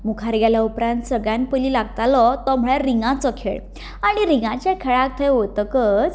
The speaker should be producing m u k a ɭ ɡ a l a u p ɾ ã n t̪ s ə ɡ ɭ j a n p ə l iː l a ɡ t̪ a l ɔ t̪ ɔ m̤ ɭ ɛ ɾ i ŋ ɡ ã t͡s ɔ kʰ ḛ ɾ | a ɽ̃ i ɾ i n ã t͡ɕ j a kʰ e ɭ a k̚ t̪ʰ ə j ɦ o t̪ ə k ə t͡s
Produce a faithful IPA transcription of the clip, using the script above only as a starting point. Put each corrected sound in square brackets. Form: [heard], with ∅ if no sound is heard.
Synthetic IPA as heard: m u [kʰ] a [ɾ] ɡ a l a u p ɾ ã n t̪ s ə ɡ ɭ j a n p ə l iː l a ɡ t̪ a l ɔ t̪ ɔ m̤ ɭ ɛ ɾ i ŋ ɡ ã t͡s ɔ kʰ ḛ [ɭ] | a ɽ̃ i ɾ i [ŋ] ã t͡ɕ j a kʰ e ɭ a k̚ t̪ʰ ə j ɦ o t̪ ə k ə t͡s